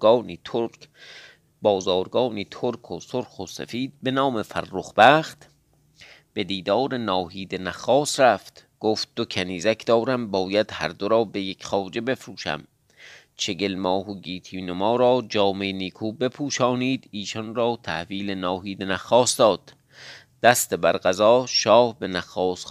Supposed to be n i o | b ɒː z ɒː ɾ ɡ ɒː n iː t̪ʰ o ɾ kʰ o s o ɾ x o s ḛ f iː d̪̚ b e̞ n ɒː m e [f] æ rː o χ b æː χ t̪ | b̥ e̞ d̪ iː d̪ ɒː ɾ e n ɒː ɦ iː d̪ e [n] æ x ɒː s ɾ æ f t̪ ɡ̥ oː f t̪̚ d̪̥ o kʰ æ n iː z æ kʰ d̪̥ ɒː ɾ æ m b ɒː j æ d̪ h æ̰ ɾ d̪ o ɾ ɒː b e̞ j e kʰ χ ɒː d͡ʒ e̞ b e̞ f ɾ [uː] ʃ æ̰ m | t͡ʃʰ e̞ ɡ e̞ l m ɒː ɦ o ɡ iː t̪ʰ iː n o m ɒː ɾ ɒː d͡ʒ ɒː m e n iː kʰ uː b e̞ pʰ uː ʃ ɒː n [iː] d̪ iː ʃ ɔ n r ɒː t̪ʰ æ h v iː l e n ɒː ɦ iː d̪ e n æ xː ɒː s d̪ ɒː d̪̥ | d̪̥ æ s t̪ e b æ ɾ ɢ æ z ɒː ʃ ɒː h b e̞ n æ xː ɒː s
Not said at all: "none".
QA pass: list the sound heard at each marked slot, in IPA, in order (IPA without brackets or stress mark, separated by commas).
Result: f, n, uː, iː